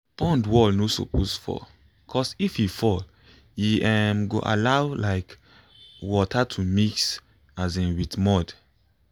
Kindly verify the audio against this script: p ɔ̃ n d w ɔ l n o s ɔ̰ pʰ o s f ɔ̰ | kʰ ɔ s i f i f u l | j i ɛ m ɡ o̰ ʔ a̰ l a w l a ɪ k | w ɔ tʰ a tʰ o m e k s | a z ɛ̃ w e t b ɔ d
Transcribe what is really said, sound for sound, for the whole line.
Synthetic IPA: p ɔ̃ n d w ɔ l n o s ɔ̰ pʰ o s f ɔ̰ | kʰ ɔ s i f i f ɔ l | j i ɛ m ɡ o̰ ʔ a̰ l a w l a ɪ k | w ɔ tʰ a tʰ u m i k s | a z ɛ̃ w i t m ɔ d